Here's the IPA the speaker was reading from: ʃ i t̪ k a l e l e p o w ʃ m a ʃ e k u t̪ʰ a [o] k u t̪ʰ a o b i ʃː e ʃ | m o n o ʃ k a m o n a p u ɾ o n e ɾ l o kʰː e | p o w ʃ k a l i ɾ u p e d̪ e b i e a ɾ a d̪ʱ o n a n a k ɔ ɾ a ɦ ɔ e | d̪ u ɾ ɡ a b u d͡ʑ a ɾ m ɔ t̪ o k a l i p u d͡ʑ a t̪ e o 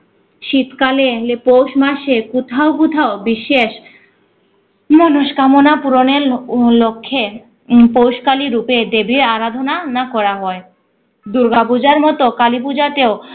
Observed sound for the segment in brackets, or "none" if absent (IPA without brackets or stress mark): o